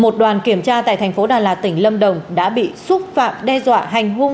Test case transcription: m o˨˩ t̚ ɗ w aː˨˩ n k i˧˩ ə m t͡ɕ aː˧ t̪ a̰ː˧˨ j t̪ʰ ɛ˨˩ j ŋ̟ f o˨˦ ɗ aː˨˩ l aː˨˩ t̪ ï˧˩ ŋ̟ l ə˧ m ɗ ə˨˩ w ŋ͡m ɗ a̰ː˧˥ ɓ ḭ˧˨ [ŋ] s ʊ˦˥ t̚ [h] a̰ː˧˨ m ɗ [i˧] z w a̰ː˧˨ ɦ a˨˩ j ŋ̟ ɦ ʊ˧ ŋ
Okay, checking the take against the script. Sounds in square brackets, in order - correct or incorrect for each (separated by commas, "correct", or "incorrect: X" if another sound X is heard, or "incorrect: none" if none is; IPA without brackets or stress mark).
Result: incorrect: none, incorrect: f, incorrect: ɛ˧